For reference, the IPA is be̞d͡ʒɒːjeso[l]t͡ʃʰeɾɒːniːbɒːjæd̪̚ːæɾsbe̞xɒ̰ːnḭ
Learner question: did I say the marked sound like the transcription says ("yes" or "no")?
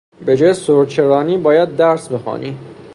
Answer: no